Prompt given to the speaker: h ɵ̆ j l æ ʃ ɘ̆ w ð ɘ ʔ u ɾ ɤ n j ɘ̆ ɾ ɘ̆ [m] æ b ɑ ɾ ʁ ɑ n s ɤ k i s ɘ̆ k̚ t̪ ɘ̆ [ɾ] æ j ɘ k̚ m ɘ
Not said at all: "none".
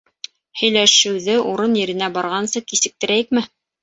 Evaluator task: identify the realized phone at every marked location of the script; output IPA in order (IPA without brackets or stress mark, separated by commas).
n, ɾ